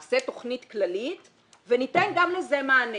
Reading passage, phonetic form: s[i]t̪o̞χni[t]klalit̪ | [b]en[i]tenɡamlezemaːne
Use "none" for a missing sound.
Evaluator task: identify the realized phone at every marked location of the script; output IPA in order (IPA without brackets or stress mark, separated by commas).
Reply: e, t, v, i